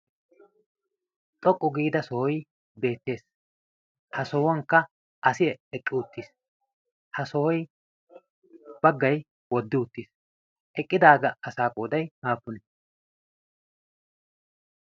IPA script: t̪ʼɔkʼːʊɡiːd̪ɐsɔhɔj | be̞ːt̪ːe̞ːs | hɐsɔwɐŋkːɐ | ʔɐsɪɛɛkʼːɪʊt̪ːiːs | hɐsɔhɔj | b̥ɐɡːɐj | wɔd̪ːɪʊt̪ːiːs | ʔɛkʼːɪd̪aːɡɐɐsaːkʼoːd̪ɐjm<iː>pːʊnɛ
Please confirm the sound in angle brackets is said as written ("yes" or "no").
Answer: no